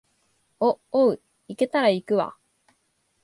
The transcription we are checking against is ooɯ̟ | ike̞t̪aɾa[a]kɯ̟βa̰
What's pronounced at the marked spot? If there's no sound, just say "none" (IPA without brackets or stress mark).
i